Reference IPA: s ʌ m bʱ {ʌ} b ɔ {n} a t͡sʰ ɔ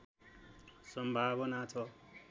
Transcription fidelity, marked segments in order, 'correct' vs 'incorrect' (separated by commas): incorrect, correct